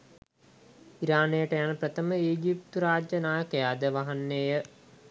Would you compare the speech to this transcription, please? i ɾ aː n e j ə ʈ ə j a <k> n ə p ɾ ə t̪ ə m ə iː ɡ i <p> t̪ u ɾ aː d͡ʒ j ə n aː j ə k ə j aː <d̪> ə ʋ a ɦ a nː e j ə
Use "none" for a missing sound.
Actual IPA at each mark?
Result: none, p, d̪

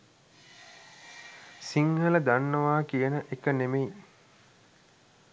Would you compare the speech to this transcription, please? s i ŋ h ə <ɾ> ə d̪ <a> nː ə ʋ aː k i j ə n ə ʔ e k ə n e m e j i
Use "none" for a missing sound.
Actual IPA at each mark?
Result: l, a

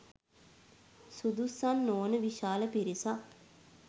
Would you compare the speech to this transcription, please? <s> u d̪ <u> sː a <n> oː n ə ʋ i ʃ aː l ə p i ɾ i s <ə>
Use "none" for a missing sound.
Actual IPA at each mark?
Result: s, u, nː, a

